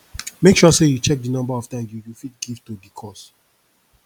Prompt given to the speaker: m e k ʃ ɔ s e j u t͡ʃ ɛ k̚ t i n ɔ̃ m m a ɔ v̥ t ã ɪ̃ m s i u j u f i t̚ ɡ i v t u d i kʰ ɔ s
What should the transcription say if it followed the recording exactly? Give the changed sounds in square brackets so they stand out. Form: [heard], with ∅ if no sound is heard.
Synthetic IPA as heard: m e k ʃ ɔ s e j u t͡ʃ ɛ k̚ [d] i n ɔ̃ m [b] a ɔ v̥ t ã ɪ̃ m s [j] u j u f i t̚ ɡ i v t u d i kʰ ɔ s